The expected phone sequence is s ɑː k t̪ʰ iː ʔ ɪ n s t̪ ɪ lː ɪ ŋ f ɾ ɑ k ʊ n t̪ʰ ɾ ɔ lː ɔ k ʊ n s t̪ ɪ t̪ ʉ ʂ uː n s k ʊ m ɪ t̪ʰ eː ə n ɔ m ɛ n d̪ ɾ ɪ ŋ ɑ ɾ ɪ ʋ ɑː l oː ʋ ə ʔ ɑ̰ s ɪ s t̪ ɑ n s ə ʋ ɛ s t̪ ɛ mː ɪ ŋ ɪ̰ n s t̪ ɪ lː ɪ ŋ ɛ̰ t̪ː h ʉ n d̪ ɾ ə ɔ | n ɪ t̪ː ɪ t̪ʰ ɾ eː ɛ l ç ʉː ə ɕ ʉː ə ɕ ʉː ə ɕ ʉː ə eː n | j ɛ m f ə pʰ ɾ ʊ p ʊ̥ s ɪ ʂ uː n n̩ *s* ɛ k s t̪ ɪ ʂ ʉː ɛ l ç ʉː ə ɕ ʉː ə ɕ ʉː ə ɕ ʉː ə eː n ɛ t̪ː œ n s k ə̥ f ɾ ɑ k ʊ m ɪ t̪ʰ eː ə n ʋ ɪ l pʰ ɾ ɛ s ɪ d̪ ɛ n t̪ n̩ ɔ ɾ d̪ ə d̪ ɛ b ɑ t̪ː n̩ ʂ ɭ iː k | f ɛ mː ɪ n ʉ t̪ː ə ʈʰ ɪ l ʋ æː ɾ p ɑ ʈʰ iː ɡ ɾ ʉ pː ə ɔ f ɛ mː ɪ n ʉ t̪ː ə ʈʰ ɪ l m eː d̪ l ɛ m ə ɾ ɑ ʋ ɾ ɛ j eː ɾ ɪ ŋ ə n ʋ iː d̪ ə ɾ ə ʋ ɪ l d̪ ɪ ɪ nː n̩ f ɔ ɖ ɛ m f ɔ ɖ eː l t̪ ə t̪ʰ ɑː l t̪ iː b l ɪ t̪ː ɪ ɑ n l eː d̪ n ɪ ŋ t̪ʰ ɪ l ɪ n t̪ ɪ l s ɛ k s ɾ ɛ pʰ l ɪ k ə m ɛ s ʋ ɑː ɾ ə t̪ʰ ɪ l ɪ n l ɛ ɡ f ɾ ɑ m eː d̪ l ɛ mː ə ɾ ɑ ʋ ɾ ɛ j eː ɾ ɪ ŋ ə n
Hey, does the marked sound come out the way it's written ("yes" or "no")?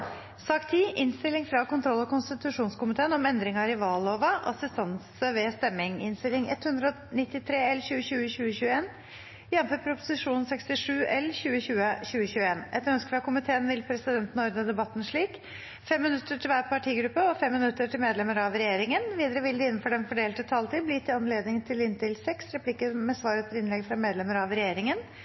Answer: yes